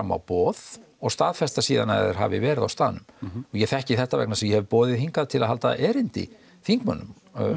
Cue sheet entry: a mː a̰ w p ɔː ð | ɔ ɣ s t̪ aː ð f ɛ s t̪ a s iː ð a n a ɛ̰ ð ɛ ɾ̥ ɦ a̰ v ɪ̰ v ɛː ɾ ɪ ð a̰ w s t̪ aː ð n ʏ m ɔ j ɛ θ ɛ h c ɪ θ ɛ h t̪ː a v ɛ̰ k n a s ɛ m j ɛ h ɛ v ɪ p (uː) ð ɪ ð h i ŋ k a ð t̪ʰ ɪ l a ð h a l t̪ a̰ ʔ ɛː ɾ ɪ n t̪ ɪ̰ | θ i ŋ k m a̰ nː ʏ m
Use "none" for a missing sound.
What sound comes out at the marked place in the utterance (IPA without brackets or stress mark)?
ɔː